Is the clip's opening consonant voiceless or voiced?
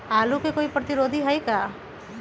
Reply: voiced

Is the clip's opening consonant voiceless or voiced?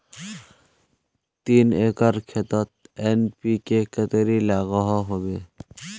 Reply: voiceless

